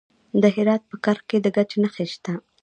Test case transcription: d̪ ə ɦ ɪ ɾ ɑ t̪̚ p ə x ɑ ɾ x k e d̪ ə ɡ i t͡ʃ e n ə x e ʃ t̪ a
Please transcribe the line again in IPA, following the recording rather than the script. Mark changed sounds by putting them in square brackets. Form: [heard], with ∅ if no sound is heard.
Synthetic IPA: d̪ ə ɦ ɪ ɾ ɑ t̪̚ p ə [k] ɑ ɾ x k e d̪ ə ɡ [a] t͡ʃ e n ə x e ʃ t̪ a